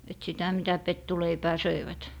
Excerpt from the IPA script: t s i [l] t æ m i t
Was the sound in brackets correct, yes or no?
no